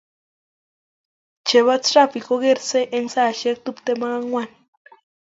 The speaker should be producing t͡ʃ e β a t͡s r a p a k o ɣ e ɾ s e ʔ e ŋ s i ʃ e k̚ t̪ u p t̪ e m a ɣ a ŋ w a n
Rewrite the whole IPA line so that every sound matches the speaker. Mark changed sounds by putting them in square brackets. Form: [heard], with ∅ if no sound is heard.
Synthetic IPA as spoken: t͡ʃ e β a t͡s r a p [i] k o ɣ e ɾ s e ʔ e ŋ s [a] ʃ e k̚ t̪ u p t̪ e m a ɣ a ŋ w a n